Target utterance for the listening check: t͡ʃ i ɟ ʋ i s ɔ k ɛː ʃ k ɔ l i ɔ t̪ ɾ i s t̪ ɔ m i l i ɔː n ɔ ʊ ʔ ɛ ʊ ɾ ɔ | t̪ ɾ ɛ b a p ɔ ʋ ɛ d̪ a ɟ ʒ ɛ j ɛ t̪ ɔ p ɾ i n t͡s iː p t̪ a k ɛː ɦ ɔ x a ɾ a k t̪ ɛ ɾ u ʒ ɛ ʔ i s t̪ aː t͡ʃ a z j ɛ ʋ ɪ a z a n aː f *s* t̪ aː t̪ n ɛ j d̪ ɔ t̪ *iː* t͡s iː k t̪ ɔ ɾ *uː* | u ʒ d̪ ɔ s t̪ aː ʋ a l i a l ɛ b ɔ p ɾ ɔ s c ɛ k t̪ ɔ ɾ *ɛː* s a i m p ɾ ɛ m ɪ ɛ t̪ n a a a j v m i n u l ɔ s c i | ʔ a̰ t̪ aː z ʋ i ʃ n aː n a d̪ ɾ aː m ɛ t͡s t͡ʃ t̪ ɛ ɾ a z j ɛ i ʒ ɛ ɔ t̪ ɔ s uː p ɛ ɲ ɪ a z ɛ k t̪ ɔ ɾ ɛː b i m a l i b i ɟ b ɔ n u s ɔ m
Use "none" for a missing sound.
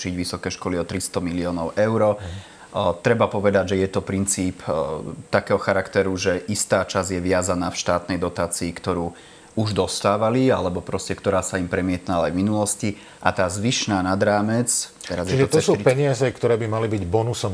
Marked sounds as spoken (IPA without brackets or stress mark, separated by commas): ʃ, aː, uː, aː